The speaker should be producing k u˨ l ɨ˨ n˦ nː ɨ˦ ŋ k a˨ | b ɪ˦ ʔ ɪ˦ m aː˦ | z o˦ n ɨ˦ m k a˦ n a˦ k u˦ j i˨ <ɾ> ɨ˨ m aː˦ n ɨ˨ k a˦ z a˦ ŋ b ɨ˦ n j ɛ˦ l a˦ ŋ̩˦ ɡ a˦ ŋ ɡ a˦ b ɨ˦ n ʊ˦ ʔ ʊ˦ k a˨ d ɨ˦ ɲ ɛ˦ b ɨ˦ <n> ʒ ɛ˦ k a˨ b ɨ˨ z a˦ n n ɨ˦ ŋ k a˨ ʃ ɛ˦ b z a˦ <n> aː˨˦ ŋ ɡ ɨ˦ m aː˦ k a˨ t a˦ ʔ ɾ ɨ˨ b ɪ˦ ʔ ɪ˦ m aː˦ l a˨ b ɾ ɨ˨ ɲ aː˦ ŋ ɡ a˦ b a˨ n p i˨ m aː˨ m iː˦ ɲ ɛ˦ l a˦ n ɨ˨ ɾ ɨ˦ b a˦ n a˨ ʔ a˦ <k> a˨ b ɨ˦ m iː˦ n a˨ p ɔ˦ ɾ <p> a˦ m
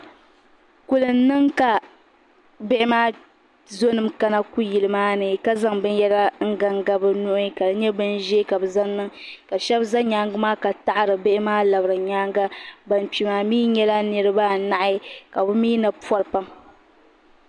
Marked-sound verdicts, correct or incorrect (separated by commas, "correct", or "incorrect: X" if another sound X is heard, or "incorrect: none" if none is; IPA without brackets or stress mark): incorrect: l, correct, incorrect: ɲ, correct, correct